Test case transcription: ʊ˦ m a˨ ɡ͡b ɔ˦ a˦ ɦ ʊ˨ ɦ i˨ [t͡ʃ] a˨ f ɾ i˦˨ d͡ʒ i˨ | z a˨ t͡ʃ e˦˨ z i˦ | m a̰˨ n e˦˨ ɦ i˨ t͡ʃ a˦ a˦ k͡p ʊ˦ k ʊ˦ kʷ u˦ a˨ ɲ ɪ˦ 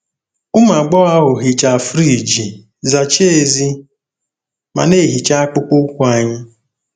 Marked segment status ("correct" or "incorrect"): correct